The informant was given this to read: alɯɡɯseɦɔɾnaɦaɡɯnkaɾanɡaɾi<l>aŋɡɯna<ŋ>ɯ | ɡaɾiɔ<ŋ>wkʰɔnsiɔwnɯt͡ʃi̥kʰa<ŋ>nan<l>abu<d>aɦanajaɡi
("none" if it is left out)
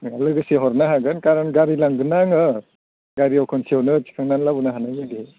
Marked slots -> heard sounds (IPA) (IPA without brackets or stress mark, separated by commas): l, ŋ, none, ŋ, l, n